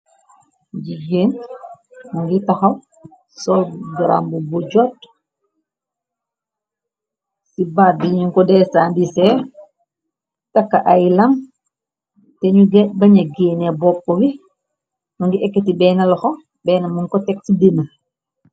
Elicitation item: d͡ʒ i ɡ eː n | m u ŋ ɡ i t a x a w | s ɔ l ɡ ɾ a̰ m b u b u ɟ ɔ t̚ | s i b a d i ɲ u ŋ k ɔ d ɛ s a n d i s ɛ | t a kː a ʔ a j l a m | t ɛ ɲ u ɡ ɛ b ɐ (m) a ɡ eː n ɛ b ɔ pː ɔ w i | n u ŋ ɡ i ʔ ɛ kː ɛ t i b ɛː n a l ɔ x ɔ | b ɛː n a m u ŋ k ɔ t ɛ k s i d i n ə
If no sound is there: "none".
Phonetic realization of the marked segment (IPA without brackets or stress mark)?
ɲ